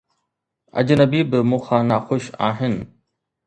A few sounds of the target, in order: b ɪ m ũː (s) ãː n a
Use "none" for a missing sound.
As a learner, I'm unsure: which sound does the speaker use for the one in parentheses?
x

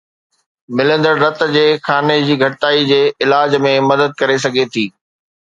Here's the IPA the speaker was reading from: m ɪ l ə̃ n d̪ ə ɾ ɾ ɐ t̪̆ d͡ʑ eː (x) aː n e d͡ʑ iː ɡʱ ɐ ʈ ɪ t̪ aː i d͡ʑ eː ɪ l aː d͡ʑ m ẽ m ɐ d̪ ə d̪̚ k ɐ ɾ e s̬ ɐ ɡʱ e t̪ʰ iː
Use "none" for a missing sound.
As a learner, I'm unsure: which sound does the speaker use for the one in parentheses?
x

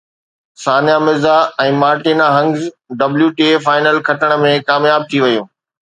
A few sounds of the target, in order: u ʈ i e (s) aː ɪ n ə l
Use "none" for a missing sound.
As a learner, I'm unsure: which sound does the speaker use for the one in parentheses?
f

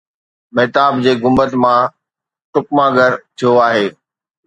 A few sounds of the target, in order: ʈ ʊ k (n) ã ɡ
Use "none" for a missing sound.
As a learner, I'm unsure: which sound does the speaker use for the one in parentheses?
m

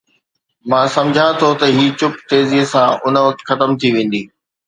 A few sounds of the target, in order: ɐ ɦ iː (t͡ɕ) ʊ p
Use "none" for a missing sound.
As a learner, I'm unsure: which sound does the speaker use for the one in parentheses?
t͡ɕ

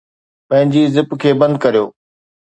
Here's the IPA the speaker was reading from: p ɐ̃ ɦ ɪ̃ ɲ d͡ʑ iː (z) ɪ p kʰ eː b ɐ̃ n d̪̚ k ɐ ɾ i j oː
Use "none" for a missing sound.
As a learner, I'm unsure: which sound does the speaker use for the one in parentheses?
z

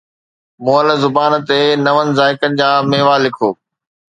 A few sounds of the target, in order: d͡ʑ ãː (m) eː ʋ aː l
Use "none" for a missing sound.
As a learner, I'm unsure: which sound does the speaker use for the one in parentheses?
m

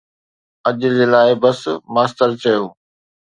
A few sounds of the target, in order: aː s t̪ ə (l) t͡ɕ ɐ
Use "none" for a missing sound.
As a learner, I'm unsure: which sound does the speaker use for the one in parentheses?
ɾ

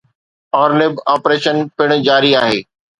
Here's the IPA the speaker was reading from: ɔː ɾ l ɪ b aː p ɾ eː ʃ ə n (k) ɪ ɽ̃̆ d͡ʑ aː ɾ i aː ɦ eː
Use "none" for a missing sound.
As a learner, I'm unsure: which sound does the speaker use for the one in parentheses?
p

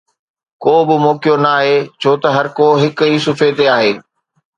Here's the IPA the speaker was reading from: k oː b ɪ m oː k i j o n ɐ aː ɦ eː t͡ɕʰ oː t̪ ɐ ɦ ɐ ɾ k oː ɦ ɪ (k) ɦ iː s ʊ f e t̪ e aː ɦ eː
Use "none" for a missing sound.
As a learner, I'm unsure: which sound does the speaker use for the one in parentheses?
k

